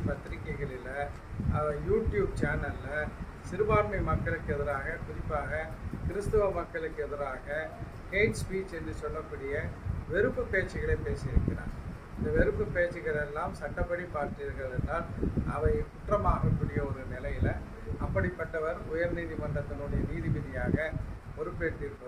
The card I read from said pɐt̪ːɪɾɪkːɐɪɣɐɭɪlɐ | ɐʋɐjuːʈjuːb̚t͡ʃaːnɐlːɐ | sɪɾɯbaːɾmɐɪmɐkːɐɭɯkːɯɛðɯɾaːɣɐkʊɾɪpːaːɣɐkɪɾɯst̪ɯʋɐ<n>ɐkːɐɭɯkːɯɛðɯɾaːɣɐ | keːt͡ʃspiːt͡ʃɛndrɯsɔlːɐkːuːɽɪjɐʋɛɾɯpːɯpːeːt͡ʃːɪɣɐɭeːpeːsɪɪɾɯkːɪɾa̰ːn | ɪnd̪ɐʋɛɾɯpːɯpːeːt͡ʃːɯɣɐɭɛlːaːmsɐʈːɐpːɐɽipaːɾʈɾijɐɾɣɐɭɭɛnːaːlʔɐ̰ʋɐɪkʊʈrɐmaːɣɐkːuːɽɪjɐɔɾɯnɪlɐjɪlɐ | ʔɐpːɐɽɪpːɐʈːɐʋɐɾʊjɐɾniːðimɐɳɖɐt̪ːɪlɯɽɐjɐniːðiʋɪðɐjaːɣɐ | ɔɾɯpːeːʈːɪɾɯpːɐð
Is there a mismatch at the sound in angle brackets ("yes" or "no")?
yes